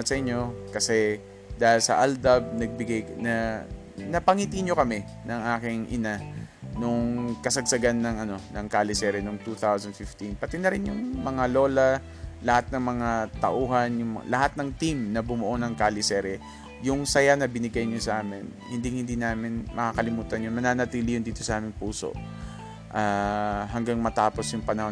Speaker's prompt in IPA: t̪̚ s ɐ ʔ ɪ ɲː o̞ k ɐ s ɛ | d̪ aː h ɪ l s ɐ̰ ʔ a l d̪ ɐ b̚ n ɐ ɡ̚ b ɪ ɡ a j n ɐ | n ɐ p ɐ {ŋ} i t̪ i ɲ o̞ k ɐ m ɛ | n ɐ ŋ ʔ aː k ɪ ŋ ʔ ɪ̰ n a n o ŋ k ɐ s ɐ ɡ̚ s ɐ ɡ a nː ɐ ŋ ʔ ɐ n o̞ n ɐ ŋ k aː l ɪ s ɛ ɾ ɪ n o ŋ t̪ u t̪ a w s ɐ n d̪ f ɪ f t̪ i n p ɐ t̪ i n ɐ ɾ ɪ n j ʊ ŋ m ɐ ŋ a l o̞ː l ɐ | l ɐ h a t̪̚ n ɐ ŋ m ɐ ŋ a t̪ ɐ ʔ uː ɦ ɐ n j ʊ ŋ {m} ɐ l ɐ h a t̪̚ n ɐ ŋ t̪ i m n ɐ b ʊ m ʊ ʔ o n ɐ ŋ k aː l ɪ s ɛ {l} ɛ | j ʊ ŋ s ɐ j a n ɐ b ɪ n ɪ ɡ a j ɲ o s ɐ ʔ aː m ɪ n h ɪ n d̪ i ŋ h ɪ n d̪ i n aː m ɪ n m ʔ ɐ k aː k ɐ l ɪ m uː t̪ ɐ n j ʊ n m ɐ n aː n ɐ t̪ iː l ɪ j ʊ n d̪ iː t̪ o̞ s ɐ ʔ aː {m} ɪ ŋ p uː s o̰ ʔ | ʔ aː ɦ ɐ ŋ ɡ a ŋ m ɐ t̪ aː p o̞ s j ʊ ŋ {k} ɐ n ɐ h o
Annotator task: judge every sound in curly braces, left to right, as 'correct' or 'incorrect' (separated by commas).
correct, correct, incorrect, correct, incorrect